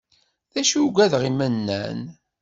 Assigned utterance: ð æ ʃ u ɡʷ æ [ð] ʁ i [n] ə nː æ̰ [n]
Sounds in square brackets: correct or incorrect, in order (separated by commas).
correct, incorrect, correct